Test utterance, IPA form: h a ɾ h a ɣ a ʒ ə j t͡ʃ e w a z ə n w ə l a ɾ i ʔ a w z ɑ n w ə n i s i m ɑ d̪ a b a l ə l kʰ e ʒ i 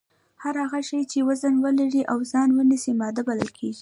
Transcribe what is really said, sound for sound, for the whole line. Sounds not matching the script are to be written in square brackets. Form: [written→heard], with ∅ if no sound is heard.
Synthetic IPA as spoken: h a ɾ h a ɣ a [ʒ→ʃ] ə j t͡ʃ e w a z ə n w ə l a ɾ i ʔ a w z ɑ n w ə n i s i m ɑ d̪ a b a l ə l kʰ e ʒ i